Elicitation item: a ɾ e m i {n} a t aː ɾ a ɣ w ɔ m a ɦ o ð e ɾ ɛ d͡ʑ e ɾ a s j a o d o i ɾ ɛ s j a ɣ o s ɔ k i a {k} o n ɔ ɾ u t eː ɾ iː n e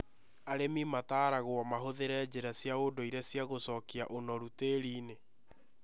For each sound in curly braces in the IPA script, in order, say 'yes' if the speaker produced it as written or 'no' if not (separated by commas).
no, no